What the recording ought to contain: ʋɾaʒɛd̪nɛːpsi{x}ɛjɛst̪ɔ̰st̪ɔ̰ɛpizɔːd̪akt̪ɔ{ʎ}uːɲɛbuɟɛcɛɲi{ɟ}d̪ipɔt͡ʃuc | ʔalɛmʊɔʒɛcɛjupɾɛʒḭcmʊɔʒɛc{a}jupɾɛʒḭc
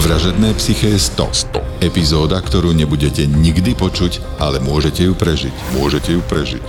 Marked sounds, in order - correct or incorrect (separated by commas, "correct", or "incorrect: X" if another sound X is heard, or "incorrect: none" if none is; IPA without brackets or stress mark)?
correct, incorrect: ɾ, incorrect: ɡ, incorrect: ɛ